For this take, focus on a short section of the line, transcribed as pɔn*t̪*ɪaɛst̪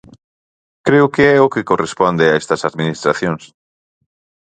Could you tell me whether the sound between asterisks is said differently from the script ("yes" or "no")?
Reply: yes